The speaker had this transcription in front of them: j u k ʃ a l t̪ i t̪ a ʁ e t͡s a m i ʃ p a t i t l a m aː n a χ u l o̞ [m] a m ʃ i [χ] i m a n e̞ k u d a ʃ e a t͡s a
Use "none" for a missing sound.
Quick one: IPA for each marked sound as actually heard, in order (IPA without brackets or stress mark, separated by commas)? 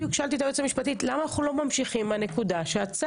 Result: m, χ